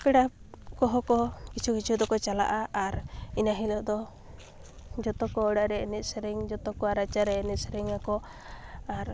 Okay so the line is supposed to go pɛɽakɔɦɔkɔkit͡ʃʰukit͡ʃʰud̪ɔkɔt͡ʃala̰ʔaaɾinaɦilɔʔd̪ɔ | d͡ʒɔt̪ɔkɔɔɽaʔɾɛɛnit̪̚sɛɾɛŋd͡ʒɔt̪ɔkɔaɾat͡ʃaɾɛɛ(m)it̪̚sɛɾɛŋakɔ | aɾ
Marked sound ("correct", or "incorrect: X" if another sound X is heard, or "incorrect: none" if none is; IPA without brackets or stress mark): incorrect: n